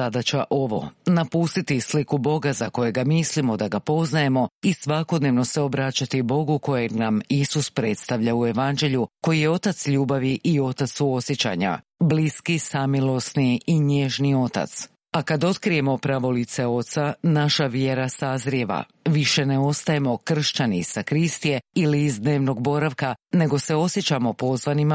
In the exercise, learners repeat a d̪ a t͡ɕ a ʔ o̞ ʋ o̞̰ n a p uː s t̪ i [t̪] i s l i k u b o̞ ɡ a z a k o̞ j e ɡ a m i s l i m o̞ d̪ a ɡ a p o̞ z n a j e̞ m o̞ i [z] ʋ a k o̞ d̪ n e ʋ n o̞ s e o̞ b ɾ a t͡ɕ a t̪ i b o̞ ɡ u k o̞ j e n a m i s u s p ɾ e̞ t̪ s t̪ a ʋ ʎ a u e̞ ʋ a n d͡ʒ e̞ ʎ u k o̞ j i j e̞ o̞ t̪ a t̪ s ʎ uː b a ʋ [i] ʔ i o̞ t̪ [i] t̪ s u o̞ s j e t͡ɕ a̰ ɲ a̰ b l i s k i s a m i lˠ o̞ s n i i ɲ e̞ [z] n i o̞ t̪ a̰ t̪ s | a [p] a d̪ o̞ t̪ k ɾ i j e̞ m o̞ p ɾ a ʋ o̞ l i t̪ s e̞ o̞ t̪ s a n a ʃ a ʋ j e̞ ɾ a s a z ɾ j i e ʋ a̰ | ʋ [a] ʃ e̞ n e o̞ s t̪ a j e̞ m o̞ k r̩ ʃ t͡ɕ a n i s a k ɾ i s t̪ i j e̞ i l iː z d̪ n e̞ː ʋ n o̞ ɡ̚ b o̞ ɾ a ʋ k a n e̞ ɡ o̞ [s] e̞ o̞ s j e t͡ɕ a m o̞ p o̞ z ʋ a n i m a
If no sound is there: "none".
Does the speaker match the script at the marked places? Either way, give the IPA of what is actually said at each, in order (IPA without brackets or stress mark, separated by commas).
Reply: t̪, s, i, a, ʒ, k, i, s